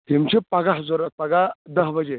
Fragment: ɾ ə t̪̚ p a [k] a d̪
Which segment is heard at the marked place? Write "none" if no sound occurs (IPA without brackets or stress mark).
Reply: ɡ